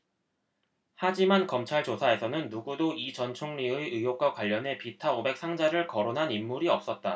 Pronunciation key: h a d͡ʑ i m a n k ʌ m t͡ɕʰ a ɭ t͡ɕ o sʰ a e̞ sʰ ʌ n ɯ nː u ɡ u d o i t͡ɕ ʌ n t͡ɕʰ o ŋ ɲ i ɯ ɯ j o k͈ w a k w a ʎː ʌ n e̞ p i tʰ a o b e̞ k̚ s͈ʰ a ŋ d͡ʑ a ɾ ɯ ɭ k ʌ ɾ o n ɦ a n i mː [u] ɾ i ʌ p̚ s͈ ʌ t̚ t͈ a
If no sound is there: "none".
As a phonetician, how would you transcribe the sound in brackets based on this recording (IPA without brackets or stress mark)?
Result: u